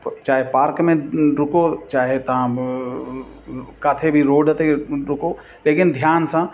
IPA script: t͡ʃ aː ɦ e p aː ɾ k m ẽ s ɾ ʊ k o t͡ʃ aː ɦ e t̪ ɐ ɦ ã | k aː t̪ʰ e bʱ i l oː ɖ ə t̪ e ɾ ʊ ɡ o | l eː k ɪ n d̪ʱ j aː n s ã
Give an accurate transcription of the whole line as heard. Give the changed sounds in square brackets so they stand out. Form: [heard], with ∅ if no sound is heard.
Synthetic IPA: t͡ʃ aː ɦ e p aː ɾ k m ẽ [∅] ɾ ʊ k o t͡ʃ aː ɦ e t̪ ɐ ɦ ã | k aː t̪ʰ e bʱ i [ɾ] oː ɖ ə t̪ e ɾ ʊ [k] o | l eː k ɪ n d̪ʱ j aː n s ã